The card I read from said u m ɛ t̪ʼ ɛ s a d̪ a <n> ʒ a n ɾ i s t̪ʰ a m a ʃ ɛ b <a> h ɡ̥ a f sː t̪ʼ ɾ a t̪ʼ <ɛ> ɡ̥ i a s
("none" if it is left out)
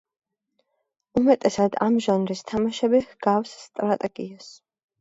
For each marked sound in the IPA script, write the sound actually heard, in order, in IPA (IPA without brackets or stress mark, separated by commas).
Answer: m, i, ɛ